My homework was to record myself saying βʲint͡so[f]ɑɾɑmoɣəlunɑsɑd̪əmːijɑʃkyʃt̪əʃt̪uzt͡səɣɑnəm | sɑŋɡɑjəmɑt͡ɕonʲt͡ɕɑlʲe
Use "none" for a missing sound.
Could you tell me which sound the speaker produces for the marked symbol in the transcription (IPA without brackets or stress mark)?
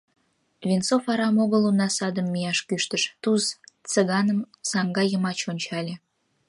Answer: f